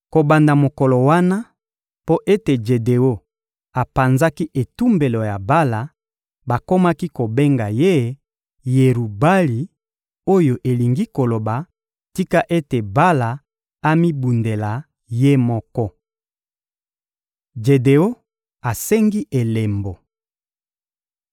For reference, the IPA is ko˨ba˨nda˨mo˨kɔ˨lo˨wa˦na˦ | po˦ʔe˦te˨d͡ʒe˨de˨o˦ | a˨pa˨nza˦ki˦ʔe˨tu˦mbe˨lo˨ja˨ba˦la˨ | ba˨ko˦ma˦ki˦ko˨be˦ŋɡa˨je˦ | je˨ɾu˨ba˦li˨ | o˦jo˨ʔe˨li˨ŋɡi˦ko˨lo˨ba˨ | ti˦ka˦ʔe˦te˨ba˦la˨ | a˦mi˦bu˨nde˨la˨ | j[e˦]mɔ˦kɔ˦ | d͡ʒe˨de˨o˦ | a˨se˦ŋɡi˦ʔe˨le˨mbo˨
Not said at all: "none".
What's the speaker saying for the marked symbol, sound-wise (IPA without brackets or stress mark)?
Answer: e˦